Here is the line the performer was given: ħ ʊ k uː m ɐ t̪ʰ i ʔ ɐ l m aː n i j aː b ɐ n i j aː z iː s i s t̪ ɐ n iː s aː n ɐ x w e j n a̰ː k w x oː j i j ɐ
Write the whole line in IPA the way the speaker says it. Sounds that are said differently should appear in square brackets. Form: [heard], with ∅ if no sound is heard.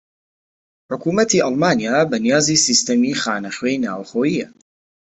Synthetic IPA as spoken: ħ ʊ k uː m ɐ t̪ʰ i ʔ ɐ l m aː n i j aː b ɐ n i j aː z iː s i s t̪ ɐ [m] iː [x] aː n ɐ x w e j n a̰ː [∅] w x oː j i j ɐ